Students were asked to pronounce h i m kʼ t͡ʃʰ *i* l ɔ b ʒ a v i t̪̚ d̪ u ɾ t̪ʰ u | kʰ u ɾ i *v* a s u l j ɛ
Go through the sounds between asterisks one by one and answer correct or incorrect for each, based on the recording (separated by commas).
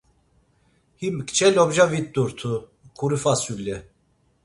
incorrect, incorrect